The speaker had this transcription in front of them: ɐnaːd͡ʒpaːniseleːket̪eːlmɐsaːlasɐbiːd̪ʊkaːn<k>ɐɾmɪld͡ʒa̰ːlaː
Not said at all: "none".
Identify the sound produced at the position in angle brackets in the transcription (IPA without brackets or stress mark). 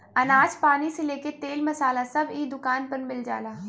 p